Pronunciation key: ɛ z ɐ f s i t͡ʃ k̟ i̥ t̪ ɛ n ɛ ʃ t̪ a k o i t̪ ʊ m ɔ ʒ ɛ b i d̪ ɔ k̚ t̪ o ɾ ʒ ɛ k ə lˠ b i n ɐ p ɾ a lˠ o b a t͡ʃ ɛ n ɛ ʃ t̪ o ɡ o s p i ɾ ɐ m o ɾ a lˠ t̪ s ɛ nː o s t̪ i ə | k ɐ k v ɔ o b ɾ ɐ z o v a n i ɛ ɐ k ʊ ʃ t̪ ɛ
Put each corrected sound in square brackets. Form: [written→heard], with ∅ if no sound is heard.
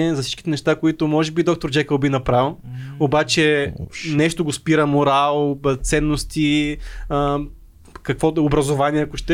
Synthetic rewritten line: ɛ z ɐ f s i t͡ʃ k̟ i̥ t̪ ɛ n ɛ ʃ t̪ a k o i t̪ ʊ m ɔ ʒ ɛ b i d̪ ɔ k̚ t̪ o ɾ [ʒ→d͡ʒ] ɛ k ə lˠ b i n ɐ p ɾ a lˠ o b a t͡ʃ ɛ n ɛ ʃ t̪ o ɡ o s p i ɾ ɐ m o ɾ a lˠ t̪ s ɛ nː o s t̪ i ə | k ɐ k v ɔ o b ɾ ɐ z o v a n i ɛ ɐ k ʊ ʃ t̪ ɛ